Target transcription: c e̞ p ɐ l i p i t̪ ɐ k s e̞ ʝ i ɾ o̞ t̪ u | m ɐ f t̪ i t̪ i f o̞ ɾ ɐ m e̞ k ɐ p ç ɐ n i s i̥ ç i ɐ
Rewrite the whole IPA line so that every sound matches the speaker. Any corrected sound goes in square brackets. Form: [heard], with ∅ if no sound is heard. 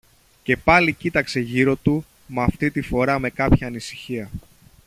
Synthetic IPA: c e̞ p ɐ l i [c] i t̪ ɐ k s e̞ ʝ i ɾ o̞ t̪ u | m ɐ f t̪ i t̪ i f o̞ ɾ ɐ m e̞ k ɐ p ç [ɐː] n i s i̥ ç i ɐ